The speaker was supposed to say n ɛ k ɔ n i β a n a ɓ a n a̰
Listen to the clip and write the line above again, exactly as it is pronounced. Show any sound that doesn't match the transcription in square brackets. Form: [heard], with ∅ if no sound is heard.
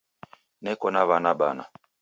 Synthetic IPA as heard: n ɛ k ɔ n [a] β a n a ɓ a n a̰